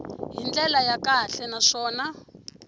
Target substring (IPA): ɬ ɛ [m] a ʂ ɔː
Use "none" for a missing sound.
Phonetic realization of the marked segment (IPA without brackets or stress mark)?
n